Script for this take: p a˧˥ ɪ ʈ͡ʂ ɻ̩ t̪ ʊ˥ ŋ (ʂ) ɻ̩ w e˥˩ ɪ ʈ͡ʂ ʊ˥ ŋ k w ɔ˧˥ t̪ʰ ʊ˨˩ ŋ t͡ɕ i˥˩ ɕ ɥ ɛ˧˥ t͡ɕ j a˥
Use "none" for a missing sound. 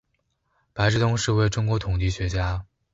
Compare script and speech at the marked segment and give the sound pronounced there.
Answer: ʂ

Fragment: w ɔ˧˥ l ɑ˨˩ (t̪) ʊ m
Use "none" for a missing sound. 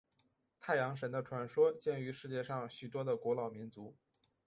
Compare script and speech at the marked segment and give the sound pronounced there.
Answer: none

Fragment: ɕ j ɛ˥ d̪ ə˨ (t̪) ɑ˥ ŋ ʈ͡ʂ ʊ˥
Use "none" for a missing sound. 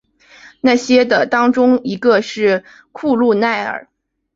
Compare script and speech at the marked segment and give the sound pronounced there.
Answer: t̪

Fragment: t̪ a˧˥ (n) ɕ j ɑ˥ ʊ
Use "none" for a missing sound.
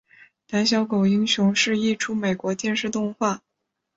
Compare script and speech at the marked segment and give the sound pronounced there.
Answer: n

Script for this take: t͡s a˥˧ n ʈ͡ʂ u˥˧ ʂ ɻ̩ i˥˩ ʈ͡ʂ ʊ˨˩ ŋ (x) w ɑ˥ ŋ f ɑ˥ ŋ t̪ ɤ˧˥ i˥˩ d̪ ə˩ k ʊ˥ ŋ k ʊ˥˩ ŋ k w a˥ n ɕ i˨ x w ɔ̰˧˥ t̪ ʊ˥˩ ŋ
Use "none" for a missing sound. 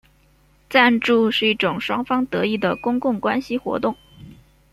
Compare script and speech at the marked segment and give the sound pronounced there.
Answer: ʂ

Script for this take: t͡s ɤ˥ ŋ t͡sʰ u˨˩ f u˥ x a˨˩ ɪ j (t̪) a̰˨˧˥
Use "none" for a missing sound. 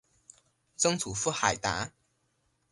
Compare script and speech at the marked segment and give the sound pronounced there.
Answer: t̪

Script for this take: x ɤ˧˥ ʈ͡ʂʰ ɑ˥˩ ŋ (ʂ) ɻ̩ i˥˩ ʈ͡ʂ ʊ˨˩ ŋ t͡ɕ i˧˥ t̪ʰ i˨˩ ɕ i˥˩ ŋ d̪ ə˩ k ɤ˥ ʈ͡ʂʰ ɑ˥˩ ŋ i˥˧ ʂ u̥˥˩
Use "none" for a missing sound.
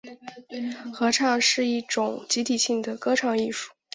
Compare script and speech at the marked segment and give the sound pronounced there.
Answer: ʂ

